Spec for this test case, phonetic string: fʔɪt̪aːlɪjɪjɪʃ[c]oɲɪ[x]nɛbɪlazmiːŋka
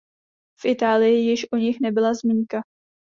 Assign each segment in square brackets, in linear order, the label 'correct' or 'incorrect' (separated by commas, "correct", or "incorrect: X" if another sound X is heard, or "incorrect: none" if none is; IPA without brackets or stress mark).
incorrect: ʔ, correct